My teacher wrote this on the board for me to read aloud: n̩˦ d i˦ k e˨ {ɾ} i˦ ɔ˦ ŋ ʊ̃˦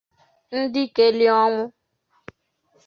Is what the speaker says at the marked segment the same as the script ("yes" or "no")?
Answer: no